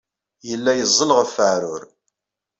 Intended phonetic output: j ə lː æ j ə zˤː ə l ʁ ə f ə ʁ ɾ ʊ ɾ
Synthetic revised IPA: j ə lː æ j ə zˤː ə l ʁ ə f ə ʕ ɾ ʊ ɾ